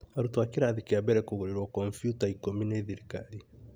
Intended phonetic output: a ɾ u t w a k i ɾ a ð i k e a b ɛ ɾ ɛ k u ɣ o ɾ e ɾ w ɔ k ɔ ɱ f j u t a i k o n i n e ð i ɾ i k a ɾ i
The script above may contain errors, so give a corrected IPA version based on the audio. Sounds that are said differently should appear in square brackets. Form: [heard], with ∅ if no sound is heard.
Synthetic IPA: a ɾ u t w a k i ɾ a ð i k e a b ɛ ɾ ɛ k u ɣ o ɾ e ɾ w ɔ k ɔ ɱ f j u t a i k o [m] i n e ð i ɾ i k a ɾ i